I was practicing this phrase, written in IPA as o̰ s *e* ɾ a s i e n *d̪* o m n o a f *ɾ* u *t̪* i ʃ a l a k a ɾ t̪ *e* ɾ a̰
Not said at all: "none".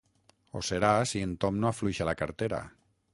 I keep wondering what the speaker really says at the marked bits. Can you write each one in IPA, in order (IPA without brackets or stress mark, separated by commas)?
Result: e, t̪, l, none, e